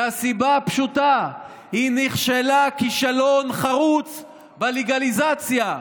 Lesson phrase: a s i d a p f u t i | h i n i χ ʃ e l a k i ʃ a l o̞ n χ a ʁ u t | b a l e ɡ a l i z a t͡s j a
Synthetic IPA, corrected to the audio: a s i b a p ʃ u t a | h i n i χ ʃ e l a k i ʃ a l o̞ n χ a ʁ u t͡s | b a l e ɡ a l i z a t͡s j a